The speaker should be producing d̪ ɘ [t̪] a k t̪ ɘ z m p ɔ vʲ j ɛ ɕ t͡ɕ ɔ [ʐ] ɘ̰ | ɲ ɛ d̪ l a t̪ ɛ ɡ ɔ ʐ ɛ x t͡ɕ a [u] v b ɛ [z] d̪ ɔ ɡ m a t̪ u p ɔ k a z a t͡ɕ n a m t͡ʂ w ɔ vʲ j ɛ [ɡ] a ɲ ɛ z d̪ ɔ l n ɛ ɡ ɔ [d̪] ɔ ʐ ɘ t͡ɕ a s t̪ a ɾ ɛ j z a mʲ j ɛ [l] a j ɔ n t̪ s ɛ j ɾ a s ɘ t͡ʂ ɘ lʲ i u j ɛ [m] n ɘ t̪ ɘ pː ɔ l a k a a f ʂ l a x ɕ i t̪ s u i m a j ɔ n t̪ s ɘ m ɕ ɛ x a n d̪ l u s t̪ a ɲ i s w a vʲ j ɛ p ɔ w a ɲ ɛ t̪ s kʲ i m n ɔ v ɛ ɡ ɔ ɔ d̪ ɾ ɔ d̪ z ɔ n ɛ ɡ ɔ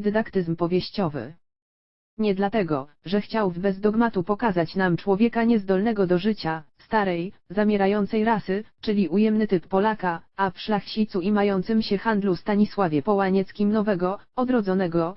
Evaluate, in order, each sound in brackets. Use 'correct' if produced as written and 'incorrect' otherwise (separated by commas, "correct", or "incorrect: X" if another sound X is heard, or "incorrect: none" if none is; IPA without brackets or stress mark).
incorrect: d̪, incorrect: v, incorrect: w, correct, incorrect: k, correct, incorrect: ɾ, correct